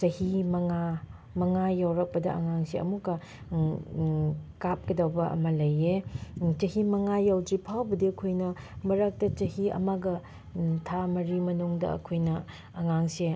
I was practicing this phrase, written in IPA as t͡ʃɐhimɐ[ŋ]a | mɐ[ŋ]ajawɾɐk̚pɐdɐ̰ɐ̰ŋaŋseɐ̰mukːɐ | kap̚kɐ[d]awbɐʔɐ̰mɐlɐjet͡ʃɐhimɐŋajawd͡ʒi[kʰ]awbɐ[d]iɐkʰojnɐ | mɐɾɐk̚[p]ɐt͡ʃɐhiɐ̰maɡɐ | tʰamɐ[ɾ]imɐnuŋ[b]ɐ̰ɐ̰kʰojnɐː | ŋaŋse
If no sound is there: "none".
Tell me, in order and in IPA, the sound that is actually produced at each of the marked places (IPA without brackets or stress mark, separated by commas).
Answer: ŋ, ŋ, d, pʰ, d, t, ɾ, d